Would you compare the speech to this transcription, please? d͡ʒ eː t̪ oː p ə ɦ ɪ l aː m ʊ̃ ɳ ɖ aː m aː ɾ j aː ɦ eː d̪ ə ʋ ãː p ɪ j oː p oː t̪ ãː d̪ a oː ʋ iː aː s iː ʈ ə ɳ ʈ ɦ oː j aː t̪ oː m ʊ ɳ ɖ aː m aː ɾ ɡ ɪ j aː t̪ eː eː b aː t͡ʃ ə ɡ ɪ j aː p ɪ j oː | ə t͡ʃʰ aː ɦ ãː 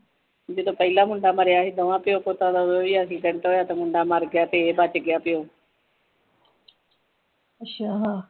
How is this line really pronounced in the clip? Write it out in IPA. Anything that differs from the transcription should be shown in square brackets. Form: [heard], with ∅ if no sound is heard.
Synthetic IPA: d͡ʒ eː t̪ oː p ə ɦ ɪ l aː m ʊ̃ ɳ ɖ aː m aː ɾ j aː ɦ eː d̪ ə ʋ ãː p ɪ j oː p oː t̪ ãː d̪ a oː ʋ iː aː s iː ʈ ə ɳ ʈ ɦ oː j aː t̪ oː m ʊ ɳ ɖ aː m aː ɾ ɡ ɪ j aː t̪ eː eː b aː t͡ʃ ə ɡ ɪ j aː p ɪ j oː | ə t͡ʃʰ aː ɦ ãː

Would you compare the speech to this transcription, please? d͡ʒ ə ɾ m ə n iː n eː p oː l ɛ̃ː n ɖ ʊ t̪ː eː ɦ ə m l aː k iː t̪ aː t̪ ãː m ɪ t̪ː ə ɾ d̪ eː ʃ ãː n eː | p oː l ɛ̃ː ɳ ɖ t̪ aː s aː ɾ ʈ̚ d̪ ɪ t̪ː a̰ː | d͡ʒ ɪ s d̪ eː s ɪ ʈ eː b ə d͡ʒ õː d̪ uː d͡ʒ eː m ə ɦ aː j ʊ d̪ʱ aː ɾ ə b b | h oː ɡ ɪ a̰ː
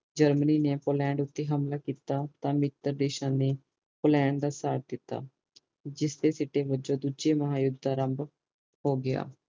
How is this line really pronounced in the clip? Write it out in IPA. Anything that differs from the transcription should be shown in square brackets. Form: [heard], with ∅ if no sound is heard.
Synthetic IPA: d͡ʒ ə ɾ m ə n iː n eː p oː l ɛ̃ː [ɳ] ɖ ʊ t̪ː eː ɦ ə m l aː k iː t̪ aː t̪ ãː m ɪ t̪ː ə ɾ d̪ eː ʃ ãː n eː | p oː l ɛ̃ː ɳ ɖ [d̪] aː s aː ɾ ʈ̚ d̪ ɪ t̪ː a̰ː | d͡ʒ ɪ s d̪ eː s ɪ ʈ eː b ə d͡ʒ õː d̪ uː d͡ʒ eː m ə ɦ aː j ʊ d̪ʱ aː ɾ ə [m] b | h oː ɡ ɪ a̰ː

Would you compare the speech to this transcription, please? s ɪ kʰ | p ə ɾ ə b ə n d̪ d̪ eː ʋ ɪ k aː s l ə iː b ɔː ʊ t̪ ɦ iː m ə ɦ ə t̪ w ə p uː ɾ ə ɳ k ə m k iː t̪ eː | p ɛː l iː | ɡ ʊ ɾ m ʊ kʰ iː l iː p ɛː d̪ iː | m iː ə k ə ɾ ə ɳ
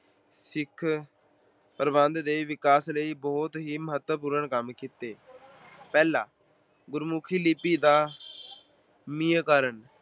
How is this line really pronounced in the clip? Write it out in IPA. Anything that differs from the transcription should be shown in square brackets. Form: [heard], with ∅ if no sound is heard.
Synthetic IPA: s ɪ kʰ | p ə ɾ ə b ə n d̪ d̪ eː ʋ ɪ k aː s l ə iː b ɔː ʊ t̪ ɦ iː m ə ɦ ə t̪ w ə p uː ɾ ə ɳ k ə m k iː t̪ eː | p ɛː l [aː] | ɡ ʊ ɾ m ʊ kʰ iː l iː p [iː] d̪ [aː] | m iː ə k ə ɾ ə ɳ

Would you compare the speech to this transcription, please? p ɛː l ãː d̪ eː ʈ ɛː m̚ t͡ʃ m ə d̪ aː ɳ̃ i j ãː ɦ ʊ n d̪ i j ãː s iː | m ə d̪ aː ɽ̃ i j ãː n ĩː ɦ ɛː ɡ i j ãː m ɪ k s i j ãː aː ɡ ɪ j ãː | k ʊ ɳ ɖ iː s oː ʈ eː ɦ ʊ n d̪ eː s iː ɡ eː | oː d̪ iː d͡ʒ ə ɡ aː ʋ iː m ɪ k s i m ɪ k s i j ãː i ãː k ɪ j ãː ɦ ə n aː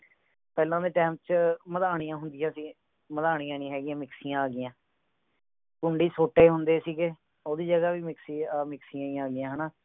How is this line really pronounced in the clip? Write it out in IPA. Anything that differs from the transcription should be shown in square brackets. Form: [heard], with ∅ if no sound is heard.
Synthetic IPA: p ɛː l ãː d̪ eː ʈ ɛː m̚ t͡ʃ m ə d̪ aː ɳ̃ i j ãː ɦ ʊ n d̪ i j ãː s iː | m ə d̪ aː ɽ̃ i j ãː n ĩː ɦ ɛː ɡ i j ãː m ɪ k s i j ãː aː ɡ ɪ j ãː | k ʊ ɳ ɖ iː s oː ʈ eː ɦ ʊ n d̪ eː s iː ɡ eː | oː d̪ iː d͡ʒ ə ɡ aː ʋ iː m ɪ k s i m ɪ k s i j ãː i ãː [ɡ] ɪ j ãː ɦ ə n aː

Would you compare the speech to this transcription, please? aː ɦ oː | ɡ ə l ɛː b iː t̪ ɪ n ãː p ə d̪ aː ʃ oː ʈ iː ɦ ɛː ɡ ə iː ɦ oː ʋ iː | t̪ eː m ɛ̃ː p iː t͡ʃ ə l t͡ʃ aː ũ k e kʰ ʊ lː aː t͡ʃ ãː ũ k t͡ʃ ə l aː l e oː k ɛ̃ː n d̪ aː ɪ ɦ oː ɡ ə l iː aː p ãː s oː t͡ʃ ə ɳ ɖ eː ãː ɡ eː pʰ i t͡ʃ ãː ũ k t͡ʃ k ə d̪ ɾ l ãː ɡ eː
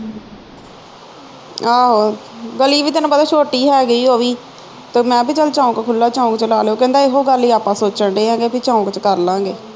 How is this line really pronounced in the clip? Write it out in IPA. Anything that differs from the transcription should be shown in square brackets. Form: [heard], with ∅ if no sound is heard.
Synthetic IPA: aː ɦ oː | ɡ ə l [iː] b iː t̪ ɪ n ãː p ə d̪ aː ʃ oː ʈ iː ɦ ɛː ɡ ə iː ɦ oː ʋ iː | t̪ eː m ɛ̃ː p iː t͡ʃ ə l t͡ʃ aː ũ k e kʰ ʊ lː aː t͡ʃ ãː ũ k t͡ʃ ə l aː l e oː k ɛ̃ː n d̪ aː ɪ ɦ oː ɡ ə l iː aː p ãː s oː t͡ʃ ə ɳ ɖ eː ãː ɡ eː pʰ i t͡ʃ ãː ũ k t͡ʃ k ə [∅] ɾ l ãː ɡ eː

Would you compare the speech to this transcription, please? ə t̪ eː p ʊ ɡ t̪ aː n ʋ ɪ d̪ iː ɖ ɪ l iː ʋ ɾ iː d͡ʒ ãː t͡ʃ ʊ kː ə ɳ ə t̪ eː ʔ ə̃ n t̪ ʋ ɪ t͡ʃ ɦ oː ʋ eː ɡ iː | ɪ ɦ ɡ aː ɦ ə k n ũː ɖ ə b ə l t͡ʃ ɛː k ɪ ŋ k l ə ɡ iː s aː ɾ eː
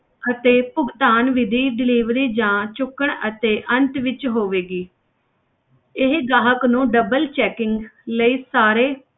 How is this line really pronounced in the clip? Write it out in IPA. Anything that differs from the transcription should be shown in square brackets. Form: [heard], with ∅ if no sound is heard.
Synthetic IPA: ə t̪ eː p ʊ ɡ t̪ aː n ʋ ɪ d̪ iː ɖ ɪ l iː ʋ ɾ iː d͡ʒ ãː t͡ʃ ʊ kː ə ɳ ə t̪ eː ʔ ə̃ n t̪ ʋ ɪ t͡ʃ ɦ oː ʋ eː ɡ iː | ɪ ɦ ɡ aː ɦ ə k n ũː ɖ ə b ə l t͡ʃ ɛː k ɪ ŋ [ɡ] l ə [∅] iː s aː ɾ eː

